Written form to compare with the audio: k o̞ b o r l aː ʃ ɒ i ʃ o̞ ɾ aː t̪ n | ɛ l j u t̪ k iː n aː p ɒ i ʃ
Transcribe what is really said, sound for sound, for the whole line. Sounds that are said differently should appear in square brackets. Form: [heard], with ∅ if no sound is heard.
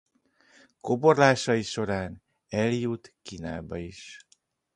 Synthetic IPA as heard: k o̞ b o r l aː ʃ ɒ i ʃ o̞ ɾ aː [∅] n | ɛ l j u t̪ k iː n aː [b] ɒ i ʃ